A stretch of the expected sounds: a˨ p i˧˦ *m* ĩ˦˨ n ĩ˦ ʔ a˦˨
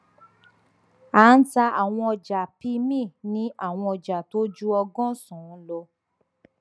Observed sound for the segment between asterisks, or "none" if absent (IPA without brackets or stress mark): m